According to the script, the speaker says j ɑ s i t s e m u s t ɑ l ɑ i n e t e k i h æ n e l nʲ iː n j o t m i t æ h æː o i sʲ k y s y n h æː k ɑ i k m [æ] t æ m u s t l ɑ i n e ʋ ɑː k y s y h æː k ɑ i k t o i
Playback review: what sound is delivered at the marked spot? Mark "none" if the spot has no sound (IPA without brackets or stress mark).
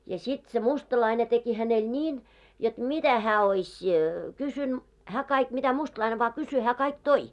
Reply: i